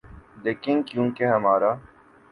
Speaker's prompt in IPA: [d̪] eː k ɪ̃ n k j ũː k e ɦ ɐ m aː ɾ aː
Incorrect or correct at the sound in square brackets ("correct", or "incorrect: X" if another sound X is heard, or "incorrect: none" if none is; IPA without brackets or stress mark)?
correct